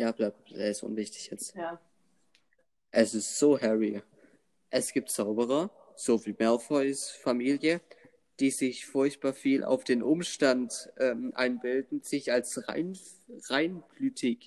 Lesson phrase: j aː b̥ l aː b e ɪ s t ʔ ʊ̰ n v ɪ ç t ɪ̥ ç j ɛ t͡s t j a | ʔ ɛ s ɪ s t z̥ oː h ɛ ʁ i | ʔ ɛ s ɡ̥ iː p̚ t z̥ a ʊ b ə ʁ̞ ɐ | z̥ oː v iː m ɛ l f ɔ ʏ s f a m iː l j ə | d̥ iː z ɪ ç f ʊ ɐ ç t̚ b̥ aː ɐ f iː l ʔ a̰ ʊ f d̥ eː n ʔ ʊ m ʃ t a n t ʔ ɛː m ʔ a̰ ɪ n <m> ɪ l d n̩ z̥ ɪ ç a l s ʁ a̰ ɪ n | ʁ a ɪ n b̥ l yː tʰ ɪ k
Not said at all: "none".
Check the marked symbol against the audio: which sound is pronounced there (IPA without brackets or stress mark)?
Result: b